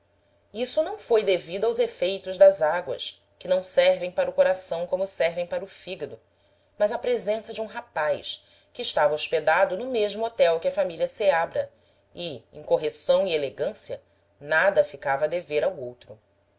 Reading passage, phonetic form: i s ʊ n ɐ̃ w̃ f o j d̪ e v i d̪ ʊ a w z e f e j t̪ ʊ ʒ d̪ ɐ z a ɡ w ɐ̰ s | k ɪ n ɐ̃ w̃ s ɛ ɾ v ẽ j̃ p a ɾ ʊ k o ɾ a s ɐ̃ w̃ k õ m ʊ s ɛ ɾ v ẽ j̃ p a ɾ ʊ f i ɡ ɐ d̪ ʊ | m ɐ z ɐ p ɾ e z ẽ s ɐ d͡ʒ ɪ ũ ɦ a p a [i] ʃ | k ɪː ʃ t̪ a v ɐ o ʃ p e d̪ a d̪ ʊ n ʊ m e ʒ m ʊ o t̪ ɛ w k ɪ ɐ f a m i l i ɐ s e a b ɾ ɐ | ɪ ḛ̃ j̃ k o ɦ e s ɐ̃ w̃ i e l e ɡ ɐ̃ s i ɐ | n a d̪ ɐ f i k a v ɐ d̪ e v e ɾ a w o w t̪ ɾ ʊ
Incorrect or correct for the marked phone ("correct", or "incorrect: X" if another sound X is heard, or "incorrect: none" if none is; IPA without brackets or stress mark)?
incorrect: j